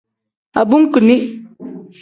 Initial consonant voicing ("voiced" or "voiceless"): voiced